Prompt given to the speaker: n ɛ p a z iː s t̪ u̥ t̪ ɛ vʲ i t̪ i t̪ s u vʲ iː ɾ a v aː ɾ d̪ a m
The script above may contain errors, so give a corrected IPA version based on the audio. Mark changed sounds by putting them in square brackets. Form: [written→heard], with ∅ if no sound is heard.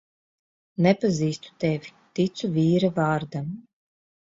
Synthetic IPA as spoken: n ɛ p a z iː s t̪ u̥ t̪ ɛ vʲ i t̪ i t̪ s u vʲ iː ɾ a v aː ɾ d̪ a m